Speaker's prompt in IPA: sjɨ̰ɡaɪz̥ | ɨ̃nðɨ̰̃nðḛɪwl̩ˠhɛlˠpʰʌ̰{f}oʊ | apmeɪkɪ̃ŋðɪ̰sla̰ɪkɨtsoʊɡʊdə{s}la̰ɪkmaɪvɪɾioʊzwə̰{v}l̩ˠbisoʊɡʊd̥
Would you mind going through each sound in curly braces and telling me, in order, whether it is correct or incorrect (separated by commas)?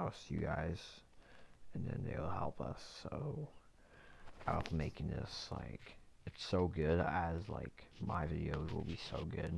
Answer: incorrect, incorrect, incorrect